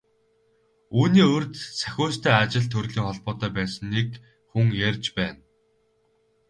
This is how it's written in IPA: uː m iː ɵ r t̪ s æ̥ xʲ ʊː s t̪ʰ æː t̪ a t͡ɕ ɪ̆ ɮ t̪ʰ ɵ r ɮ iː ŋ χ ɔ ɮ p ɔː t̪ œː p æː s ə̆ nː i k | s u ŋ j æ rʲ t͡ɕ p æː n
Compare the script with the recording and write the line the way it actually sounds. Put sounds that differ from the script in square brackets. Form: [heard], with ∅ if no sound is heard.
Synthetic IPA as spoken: uː [n] iː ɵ r t̪ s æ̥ xʲ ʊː s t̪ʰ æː [∅] a t͡ɕ ɪ̆ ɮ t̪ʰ ɵ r ɮ iː ŋ χ ɔ ɮ p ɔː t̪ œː p æː s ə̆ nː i k | [x] u ŋ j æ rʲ t͡ɕ p æː n